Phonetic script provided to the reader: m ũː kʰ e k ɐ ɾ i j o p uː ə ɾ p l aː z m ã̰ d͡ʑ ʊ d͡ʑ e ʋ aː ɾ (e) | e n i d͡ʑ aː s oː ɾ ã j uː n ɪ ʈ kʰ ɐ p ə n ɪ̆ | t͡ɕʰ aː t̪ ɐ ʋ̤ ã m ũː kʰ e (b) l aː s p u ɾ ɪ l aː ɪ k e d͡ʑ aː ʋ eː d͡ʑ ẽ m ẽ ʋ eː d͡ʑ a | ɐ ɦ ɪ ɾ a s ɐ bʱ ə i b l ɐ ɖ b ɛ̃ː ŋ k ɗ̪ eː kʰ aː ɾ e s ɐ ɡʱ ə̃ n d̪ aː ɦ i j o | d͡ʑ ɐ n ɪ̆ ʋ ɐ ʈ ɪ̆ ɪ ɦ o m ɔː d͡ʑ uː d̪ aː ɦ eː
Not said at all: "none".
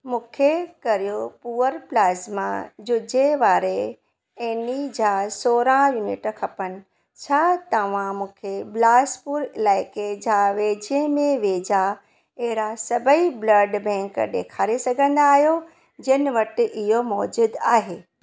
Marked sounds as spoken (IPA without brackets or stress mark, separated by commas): e, b